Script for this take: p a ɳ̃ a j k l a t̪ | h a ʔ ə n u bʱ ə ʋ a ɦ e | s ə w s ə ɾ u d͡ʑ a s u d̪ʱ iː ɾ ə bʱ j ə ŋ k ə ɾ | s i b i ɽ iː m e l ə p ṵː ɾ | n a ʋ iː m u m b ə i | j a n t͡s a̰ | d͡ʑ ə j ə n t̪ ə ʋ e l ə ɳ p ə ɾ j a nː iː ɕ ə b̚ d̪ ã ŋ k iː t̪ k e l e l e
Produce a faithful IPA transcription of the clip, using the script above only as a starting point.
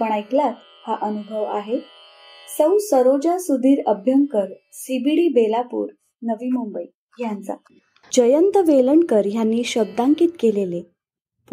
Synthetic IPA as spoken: p ə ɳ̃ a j k l a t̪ | h a ʔ ə n u bʱ ə ʋ a ɦ e | s ə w s ə ɾ o d͡ʑ a s u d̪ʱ iː ɾ ə bʱ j ə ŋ k ə ɾ | s i b i ɽ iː b e l a p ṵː ɾ | n ə ʋ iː m u m b ə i | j a n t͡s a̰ | d͡ʑ ə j ə n t̪ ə ʋ e l ə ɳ k ə ɾ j a nː iː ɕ ə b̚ d̪ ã ŋ k iː t̪ k e l e l e